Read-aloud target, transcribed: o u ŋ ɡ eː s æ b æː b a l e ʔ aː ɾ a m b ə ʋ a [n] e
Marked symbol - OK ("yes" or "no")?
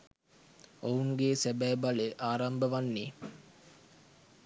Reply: no